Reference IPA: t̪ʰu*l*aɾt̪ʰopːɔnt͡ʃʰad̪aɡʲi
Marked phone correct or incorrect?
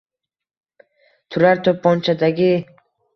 incorrect